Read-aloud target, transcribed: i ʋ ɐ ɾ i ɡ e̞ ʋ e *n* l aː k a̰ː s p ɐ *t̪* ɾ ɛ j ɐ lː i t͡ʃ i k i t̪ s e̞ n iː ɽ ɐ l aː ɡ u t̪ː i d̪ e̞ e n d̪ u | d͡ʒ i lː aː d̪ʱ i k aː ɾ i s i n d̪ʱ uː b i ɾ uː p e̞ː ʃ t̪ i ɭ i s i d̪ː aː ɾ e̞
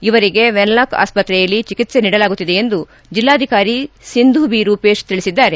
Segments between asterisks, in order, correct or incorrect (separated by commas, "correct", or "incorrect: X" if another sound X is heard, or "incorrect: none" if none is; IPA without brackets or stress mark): correct, correct